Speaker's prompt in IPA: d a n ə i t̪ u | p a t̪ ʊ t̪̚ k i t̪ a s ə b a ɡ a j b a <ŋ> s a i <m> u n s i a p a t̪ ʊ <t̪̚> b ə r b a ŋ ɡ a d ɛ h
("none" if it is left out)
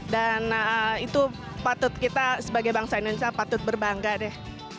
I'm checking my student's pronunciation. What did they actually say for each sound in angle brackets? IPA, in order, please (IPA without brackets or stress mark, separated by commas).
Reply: ŋ, n, t̪̚